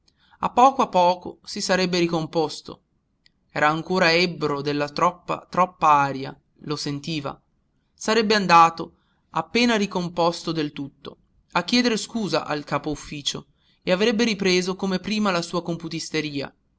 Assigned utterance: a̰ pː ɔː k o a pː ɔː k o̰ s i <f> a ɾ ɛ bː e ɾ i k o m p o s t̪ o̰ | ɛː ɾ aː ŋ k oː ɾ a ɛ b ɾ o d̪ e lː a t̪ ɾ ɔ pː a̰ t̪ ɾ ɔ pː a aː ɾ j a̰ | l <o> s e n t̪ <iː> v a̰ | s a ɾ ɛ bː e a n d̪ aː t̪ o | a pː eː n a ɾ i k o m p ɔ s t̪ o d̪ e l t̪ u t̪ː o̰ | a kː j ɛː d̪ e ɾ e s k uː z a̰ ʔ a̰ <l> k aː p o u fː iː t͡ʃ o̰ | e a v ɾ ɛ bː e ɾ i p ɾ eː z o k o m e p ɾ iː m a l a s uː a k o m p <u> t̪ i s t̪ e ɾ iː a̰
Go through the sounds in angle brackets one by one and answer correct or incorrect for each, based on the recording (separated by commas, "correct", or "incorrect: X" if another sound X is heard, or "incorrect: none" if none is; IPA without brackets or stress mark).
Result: incorrect: s, correct, correct, correct, correct